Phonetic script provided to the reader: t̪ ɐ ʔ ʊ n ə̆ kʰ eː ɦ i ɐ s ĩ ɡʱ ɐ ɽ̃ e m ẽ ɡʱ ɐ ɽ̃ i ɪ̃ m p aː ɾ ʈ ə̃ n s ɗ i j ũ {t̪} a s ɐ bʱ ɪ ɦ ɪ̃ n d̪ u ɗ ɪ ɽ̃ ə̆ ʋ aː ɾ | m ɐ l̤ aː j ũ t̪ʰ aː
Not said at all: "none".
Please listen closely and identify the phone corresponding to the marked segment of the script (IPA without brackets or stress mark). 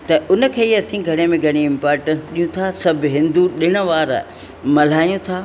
t̪ʰ